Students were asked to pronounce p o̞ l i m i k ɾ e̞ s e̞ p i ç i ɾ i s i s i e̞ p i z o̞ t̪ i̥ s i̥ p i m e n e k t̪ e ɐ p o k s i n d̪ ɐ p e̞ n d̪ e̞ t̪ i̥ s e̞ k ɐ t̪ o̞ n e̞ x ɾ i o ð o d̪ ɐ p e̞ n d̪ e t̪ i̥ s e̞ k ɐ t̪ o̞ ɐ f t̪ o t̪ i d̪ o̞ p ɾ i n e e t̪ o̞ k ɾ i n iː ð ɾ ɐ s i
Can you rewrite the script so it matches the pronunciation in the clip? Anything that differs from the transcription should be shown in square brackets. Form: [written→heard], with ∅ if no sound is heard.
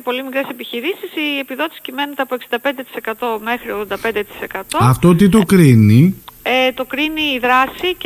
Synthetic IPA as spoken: p o̞ l i m i k ɾ e̞ s e̞ p i ç i ɾ i s i s i e̞ p i [z→ð] o̞ t̪ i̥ s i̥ [p→c] i m e n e [k→∅] t̪ e ɐ p o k s i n d̪ ɐ p e̞ n d̪ e̞ t̪ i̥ s e̞ k ɐ t̪ o̞ [n→m] e̞ x ɾ i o ð o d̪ ɐ p e̞ n d̪ e t̪ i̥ s e̞ k ɐ t̪ o̞ ɐ f t̪ o t̪ i [d̪→t̪] o̞ [p→k] ɾ i n [e→i] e t̪ o̞ k ɾ i n iː ð ɾ ɐ s i